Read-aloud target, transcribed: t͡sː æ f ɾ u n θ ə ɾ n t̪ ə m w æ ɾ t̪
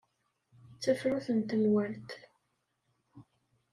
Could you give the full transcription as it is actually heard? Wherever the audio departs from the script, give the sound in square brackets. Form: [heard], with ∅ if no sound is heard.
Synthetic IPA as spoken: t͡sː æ f ɾ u [∅] θ ə [∅] n t̪ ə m w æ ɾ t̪